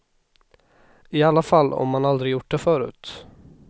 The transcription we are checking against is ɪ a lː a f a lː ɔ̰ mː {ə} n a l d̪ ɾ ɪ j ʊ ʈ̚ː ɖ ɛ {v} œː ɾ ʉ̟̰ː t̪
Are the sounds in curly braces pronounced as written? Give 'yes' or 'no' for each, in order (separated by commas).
no, no